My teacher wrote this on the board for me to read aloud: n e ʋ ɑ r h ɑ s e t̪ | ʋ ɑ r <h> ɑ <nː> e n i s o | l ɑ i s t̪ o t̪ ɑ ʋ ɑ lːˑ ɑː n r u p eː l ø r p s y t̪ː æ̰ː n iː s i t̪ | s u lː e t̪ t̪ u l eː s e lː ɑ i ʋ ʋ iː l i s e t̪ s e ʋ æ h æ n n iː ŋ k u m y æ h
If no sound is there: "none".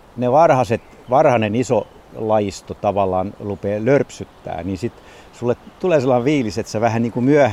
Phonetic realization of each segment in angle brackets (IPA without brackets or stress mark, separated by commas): h, n